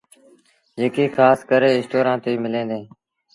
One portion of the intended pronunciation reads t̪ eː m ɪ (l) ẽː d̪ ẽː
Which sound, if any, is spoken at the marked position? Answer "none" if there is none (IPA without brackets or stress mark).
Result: l